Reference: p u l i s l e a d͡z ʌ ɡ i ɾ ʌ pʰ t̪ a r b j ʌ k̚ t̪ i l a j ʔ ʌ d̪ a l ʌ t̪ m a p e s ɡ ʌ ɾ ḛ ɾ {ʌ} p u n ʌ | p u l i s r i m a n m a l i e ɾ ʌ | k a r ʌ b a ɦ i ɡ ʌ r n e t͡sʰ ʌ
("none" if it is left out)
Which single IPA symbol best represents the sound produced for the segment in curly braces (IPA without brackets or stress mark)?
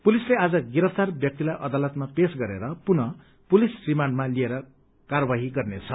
ʌ